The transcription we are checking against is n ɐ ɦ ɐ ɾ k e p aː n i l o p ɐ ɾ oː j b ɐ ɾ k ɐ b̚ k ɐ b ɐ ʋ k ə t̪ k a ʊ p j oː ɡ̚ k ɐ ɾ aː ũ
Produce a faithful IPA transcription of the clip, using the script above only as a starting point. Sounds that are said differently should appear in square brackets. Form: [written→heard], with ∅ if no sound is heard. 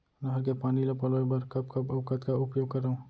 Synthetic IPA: n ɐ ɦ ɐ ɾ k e p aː n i l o p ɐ [ɾ→l] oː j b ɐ ɾ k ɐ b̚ k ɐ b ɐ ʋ k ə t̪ k a ʊ p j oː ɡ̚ k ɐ ɾ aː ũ